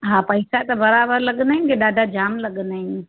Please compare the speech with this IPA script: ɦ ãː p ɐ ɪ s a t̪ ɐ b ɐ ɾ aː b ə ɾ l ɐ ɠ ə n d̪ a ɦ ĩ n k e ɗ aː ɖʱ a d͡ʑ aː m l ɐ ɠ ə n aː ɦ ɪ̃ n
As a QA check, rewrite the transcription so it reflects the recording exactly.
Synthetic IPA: ɦ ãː p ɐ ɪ s a t̪ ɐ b ɐ ɾ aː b ə ɾ l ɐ ɠ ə n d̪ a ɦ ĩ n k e ɗ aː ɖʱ a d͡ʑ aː m l ɐ ɠ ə n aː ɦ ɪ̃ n